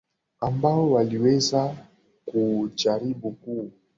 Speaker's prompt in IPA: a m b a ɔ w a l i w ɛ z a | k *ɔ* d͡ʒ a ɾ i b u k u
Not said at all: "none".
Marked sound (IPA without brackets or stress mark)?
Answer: u